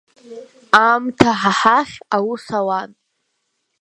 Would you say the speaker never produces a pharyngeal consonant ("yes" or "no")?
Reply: no